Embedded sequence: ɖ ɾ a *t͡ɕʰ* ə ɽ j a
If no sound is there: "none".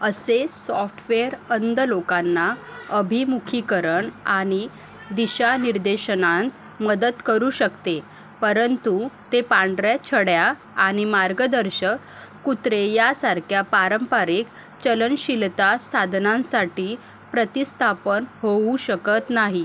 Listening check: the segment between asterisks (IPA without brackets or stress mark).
t͡ɕʰ